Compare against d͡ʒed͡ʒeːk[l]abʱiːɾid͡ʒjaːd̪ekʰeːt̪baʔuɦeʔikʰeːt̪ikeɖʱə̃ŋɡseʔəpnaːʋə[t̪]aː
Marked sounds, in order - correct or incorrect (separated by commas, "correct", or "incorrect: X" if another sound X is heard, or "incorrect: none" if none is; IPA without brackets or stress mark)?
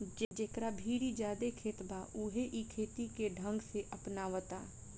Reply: incorrect: ɾ, correct